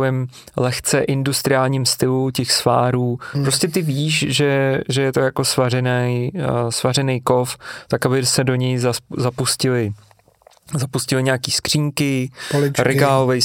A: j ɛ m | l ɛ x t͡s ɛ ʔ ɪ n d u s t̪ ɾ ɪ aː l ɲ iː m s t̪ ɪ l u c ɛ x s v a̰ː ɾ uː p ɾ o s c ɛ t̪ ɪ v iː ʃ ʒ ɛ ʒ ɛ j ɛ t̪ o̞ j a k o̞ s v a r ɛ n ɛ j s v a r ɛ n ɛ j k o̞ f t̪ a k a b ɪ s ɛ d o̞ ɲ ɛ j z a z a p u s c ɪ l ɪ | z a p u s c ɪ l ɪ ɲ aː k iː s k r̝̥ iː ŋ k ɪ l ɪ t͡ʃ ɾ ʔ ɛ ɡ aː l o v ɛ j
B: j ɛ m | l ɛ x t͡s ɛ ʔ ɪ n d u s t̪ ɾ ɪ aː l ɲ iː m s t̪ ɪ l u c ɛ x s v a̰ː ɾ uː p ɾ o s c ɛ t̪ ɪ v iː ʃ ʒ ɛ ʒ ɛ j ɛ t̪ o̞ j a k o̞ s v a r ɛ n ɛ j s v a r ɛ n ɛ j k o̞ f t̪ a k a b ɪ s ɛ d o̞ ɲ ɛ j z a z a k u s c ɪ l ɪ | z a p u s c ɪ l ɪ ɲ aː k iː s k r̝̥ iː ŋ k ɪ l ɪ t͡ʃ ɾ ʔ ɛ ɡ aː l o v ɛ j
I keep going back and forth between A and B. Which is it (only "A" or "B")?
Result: A